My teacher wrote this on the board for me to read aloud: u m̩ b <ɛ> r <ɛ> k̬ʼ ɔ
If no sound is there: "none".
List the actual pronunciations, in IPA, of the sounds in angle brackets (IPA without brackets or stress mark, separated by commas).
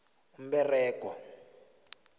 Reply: ɛ, ɛː